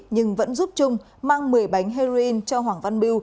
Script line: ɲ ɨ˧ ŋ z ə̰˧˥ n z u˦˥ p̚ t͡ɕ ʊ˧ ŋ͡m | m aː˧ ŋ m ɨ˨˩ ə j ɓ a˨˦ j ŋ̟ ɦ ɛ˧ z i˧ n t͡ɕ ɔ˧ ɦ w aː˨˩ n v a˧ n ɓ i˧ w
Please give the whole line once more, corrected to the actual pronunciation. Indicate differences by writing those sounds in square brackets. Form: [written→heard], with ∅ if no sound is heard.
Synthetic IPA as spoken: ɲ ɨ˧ ŋ [z→v] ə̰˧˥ n z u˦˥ p̚ t͡ɕ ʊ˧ ŋ͡m | m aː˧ ŋ m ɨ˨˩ ə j ɓ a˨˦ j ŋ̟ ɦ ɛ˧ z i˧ n t͡ɕ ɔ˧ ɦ w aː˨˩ [n→ŋ] v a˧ n ɓ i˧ w